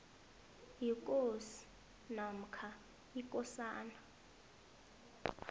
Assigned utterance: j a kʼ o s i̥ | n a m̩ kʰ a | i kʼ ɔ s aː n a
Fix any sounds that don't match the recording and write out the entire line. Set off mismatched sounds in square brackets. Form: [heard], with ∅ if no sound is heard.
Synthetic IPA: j [i] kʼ o s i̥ | n a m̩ kʰ a | i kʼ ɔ s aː n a